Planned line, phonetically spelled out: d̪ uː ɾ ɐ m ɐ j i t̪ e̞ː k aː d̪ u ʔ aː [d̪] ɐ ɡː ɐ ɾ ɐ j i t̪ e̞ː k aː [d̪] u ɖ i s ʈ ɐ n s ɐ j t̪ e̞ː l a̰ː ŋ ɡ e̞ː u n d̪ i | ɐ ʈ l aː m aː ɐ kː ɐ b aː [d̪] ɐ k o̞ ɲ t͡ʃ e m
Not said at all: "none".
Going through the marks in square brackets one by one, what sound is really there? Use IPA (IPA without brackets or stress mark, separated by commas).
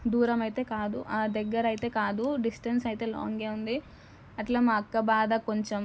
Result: d̪, d̪, d̪